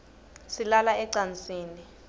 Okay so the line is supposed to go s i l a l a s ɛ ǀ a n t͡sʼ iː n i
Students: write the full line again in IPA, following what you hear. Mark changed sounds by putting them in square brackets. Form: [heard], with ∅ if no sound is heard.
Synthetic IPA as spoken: s i l a l a [∅] ɛ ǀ a n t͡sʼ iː n i